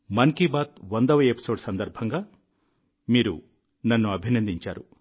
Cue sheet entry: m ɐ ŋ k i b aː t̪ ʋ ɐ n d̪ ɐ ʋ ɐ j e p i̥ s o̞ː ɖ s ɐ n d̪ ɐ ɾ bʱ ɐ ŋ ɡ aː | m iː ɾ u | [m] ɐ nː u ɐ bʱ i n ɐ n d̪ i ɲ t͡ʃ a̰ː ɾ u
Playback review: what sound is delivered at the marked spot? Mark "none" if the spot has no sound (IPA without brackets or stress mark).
n